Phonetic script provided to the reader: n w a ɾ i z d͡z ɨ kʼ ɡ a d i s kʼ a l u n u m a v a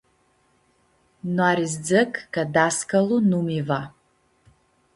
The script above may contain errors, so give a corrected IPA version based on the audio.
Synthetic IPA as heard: n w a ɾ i z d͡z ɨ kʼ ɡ a d a s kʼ a l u n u m i v a